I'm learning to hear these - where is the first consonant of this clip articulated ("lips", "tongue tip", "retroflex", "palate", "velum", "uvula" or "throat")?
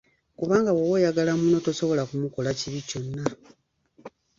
velum